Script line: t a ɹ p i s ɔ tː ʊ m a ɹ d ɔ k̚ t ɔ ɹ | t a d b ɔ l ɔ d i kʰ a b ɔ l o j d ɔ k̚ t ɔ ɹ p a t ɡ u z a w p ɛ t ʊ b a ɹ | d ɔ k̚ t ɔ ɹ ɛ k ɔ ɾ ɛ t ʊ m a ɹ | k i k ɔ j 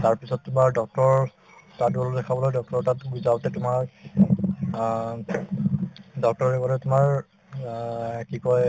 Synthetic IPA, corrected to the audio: t a ɹ p i s ɔ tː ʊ m a ɹ d ɔ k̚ t ɔ ɹ | t a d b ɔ l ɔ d ɛ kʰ a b ɔ l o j d ɔ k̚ t ɔ ɹ t a t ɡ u z a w t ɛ t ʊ m a ɹ | d ɔ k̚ t ɔ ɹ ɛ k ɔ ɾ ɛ t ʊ m a ɹ | k i k ɔ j